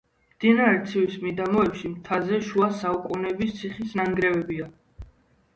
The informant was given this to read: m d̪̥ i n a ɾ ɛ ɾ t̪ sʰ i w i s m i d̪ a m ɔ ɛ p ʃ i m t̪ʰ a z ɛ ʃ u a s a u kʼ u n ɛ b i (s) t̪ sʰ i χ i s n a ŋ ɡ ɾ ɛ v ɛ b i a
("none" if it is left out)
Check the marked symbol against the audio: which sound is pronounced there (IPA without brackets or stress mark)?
s